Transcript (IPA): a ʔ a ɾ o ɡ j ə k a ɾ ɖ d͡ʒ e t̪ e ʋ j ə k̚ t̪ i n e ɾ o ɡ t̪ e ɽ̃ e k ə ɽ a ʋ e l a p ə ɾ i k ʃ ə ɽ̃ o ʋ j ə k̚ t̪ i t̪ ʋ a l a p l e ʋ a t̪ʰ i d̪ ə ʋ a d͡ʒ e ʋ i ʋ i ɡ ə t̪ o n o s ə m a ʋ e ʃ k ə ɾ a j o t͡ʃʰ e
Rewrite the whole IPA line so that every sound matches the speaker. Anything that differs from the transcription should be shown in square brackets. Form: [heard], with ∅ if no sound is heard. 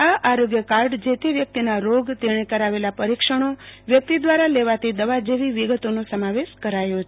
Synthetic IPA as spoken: a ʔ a ɾ o ɡ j ə k a ɾ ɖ d͡ʒ e t̪ e ʋ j ə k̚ t̪ i n [a] ɾ o ɡ t̪ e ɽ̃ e k ə [ɾ] a ʋ e l a p ə ɾ i k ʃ ə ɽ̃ o ʋ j ə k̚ t̪ i [d̪] ʋ a [ɾ] a [∅] l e ʋ a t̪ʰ i d̪ ə ʋ a d͡ʒ e ʋ i ʋ i ɡ ə t̪ o n o s ə m a ʋ e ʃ k ə ɾ a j o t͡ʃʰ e